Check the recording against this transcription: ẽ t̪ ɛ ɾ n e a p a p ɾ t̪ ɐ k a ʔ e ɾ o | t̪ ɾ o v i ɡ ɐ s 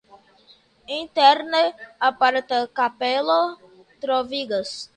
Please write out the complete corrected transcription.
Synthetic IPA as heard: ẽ t̪ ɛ ɾ n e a p a ɾ t̪ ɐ k a p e l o | t̪ ɾ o v i ɡ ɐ s